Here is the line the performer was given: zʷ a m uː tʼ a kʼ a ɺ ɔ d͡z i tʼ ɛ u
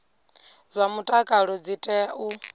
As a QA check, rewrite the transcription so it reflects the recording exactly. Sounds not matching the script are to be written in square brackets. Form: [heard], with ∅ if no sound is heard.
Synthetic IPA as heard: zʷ a m [u] tʼ a kʼ a ɺ ɔ d͡z i tʼ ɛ u